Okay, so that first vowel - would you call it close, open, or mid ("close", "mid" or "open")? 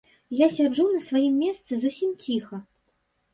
open